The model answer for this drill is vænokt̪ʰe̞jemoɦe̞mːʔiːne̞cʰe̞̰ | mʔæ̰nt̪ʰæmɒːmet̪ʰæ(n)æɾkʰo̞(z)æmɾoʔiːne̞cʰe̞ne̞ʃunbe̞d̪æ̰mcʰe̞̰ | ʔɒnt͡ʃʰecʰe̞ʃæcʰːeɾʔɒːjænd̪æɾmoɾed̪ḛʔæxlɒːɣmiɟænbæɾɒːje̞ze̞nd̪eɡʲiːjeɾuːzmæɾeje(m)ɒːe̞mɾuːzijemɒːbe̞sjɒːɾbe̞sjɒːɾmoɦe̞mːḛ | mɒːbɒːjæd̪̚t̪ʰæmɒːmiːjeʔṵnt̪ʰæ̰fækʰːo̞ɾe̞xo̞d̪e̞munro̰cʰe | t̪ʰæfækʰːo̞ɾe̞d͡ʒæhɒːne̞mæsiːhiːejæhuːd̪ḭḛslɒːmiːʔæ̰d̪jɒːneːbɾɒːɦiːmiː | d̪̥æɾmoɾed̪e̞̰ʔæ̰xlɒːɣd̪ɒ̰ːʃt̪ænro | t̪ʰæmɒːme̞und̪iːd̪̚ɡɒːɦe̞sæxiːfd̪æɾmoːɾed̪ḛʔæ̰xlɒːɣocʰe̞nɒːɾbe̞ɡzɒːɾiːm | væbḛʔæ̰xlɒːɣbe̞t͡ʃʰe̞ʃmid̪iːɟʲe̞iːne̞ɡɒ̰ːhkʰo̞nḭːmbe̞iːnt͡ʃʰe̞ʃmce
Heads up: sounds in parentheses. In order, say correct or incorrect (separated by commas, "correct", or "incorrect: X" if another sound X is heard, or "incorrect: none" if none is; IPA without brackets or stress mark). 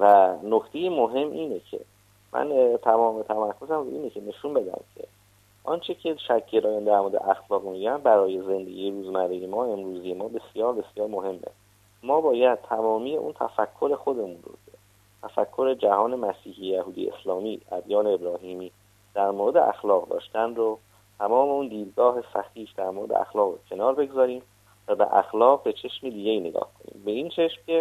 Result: incorrect: m, correct, correct